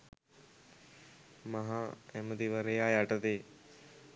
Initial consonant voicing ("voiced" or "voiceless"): voiced